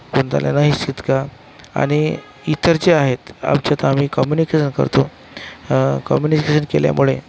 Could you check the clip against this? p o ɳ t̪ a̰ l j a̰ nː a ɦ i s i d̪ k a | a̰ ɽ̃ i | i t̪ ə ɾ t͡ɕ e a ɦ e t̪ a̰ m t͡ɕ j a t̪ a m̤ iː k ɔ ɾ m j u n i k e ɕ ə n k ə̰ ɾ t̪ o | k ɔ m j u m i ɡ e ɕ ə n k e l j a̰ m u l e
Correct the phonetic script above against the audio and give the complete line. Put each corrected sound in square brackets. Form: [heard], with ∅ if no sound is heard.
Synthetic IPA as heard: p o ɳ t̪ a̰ l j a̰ [n] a ɦ i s i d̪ k a | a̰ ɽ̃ i | i t̪ ə ɾ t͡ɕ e a ɦ e t̪ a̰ m t͡ɕ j a t̪ a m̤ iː k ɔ [∅] m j u n i k e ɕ ə n k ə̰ ɾ t̪ o | k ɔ m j u [n] i [k] e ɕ ə n k e l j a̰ m u [ɭ] e